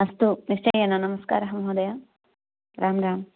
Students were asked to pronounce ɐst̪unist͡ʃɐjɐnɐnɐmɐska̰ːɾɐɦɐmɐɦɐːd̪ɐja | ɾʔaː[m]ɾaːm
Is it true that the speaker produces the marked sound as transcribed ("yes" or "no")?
yes